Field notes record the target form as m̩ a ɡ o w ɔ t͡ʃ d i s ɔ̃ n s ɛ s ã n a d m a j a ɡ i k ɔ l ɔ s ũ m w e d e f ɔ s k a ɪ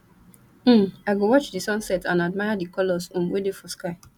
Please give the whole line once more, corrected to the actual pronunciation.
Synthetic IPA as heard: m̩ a ɡ o w ɔ t͡ʃ d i s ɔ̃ n s ɛ t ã n a d m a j a d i k ɔ l ɔ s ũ m w e d e f ɔ s k a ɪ